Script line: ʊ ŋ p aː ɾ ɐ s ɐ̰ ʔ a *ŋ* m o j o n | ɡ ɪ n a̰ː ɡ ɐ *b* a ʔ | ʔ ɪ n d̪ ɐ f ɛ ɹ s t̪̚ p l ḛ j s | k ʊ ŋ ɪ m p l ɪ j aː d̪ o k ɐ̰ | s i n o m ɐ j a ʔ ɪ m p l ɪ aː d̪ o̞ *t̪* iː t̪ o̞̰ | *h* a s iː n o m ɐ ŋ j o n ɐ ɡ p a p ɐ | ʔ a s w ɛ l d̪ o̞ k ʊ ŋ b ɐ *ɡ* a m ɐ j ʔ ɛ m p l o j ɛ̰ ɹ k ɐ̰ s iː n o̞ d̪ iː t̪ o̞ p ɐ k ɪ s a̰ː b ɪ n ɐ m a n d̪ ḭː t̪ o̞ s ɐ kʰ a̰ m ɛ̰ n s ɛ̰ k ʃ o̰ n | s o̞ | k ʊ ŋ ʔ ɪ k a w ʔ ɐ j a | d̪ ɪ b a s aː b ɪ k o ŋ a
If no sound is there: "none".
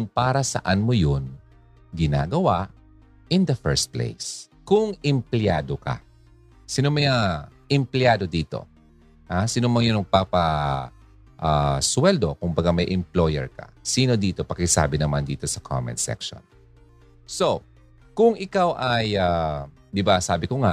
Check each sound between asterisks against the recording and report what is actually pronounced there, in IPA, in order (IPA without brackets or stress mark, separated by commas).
n, w, d̪, h, ɡ